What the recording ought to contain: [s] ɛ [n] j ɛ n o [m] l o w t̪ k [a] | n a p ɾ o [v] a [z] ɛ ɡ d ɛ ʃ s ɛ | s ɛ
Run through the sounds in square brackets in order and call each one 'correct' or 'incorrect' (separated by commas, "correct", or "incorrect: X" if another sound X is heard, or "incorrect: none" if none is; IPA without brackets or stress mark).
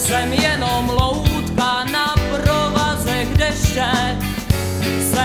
correct, incorrect: m, correct, correct, correct, correct